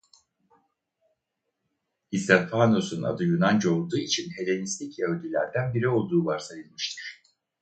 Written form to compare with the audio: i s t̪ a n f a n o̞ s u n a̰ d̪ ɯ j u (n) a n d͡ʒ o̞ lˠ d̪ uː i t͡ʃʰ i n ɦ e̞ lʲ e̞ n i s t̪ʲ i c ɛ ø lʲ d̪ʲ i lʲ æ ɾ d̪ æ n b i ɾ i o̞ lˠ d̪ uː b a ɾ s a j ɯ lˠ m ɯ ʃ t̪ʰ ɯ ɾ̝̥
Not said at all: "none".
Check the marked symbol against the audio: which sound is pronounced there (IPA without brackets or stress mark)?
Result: n